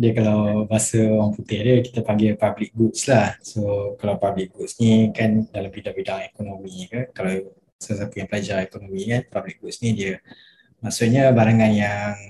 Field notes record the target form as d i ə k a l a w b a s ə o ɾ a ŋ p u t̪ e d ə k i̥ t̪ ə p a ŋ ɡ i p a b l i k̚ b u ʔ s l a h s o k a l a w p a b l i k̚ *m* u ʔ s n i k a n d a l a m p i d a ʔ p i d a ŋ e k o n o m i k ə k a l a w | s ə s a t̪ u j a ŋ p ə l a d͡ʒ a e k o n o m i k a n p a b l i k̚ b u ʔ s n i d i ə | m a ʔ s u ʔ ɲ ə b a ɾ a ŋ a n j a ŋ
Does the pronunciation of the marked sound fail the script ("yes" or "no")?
yes